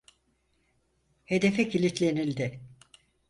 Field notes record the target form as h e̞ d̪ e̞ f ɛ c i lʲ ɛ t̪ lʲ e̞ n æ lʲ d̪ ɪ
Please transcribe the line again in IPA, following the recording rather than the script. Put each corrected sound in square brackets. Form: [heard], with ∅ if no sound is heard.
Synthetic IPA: h e̞ d̪ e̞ f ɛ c i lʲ [i] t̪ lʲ e̞ n [i] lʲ d̪ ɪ